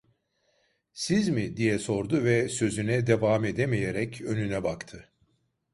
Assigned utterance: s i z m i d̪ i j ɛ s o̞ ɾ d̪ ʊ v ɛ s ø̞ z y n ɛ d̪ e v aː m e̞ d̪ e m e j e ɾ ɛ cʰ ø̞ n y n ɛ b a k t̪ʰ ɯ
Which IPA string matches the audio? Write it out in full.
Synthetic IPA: s i z m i d̪ i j ɛ s o̞ ɾ d̪ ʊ v ɛ s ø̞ z y n ɛ d̪ e v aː m e̞ d̪ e m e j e ɾ ɛ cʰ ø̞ n y n ɛ b a k t̪ʰ ɯ